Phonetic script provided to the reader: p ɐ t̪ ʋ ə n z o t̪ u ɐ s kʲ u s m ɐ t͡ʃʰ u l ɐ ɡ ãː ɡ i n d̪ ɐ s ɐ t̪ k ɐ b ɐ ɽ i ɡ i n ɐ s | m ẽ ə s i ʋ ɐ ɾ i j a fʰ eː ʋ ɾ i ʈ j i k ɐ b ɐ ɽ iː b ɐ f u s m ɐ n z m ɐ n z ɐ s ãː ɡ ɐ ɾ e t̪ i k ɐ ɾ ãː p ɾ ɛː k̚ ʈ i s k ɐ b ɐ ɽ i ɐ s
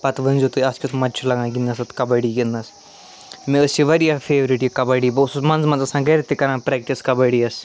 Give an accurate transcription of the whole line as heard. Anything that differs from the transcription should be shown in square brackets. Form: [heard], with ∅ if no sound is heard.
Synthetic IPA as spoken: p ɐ t̪ ʋ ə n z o t̪ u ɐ s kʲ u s m ɐ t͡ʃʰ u l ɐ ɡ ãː ɡ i n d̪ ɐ s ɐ t̪ k ɐ b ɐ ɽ i ɡ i n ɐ s | m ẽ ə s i ʋ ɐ ɾ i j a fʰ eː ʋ ɾ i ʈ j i k ɐ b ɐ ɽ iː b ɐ [s] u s m ɐ n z m ɐ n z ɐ s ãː ɡ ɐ ɾ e t̪ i k ɐ ɾ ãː p ɾ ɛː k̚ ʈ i s k ɐ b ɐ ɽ i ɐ s